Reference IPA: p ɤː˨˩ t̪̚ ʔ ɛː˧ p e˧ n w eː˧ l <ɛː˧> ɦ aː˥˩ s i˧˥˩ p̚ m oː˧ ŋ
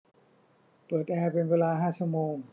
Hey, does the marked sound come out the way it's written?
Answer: no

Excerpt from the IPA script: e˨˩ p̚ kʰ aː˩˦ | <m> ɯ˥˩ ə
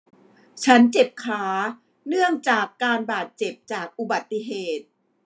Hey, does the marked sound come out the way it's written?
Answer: no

